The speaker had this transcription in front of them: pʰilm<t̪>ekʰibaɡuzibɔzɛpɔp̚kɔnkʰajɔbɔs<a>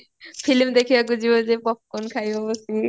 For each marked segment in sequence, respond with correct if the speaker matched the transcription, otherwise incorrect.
incorrect, incorrect

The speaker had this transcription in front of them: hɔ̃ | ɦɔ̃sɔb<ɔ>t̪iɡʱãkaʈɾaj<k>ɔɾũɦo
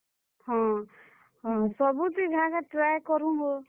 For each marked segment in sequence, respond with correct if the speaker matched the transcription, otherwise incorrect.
incorrect, correct

